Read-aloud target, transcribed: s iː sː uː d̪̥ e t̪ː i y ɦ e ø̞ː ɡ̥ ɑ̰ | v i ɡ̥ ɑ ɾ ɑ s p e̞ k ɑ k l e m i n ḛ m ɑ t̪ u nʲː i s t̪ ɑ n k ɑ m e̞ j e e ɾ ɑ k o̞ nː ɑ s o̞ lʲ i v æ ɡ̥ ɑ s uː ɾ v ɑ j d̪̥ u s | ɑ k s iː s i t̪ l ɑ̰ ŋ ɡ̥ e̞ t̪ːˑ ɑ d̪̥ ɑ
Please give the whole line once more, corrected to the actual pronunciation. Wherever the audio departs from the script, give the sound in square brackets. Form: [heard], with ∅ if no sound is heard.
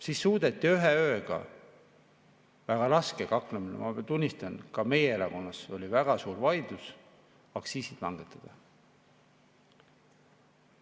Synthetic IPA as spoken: s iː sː uː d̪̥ e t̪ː i y ɦ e ø̞ː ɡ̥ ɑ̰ | v [æ] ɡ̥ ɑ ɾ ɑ s [k] e̞ k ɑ k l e m i n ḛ m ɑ t̪ u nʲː i s t̪ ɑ n k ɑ m e̞ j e e ɾ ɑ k o̞ nː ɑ s o̞ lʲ i v æ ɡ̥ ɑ s uː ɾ v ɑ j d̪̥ u s | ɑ k s iː s i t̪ l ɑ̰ ŋ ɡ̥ e̞ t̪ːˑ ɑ d̪̥ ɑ